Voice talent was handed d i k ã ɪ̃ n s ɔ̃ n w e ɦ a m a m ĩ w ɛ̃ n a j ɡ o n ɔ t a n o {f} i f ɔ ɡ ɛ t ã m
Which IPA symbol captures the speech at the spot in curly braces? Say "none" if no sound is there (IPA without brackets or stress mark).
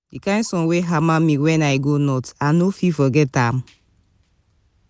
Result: f